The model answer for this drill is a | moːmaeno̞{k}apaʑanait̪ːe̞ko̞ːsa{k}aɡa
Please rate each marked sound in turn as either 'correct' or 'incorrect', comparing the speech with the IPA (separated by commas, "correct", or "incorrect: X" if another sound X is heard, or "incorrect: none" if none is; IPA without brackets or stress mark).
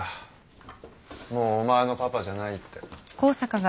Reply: incorrect: p, correct